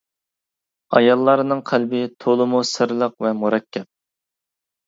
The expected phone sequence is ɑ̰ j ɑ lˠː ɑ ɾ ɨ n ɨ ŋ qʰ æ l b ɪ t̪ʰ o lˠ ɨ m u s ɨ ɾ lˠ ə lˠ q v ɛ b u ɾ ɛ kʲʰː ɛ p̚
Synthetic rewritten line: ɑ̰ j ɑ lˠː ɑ ɾ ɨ n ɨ ŋ qʰ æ l b ɪ t̪ʰ o lˠ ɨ m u s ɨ ɾ lˠ ə q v ɛ m u ɾ ɛ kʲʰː ɛ p̚